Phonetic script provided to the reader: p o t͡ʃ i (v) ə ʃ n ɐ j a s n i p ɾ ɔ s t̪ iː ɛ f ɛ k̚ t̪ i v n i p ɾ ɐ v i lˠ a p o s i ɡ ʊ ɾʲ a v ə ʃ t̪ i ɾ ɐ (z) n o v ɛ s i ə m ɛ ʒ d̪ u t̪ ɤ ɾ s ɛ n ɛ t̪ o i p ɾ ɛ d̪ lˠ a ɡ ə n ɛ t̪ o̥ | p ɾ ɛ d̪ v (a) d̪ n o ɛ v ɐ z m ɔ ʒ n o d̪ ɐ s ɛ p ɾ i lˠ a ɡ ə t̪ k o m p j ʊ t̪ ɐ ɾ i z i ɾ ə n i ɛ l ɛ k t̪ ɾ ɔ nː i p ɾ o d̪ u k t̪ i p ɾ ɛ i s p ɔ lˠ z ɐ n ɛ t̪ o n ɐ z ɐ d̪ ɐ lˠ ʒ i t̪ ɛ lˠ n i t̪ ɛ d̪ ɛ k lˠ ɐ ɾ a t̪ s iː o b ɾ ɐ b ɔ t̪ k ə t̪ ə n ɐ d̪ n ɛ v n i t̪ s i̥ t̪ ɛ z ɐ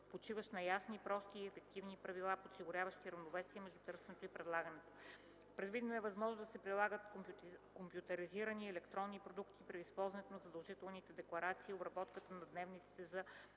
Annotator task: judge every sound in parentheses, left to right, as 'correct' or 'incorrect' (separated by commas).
correct, incorrect, incorrect